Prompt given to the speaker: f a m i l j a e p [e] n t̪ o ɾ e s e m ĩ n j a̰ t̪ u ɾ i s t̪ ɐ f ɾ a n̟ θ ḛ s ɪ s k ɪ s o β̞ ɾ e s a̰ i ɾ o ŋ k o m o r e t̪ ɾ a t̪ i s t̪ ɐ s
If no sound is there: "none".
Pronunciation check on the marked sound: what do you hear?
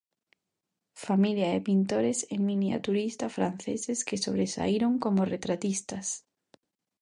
i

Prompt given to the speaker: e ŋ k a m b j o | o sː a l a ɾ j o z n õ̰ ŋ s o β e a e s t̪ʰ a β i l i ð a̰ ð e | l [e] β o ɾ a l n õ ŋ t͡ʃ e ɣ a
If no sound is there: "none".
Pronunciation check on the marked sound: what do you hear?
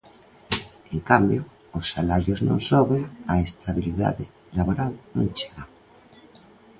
a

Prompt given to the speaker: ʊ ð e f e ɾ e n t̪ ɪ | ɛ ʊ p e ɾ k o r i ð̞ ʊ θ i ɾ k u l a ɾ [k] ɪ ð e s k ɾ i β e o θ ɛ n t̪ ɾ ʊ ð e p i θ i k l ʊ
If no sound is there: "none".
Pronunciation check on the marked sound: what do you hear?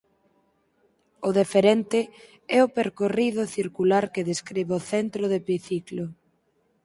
k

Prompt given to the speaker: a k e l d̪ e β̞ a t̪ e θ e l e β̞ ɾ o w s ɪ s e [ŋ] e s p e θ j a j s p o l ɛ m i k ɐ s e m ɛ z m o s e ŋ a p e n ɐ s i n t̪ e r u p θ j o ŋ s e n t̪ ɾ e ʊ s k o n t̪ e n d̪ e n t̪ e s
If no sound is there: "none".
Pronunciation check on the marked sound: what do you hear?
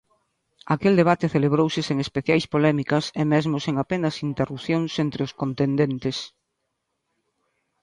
ŋ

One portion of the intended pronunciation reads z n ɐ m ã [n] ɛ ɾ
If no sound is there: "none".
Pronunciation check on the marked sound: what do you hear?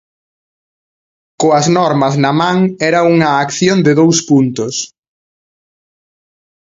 ŋ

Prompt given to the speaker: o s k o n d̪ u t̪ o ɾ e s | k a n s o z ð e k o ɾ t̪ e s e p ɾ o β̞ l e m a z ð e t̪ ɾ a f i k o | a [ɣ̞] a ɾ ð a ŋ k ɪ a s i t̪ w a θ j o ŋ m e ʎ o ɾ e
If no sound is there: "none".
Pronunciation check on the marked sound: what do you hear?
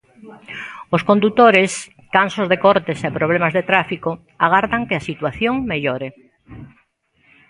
ɣ̞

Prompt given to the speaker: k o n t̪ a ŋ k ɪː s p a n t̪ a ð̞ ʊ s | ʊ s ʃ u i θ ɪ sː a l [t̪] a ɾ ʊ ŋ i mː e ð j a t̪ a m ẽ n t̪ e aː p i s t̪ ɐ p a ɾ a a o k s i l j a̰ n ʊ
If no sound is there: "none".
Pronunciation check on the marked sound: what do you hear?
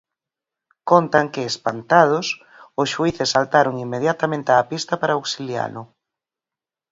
t̪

